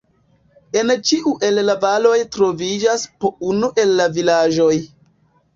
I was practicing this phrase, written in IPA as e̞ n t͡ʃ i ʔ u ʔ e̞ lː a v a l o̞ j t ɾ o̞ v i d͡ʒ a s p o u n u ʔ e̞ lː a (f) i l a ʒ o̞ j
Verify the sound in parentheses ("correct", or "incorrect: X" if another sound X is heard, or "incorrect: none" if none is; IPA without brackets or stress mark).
incorrect: v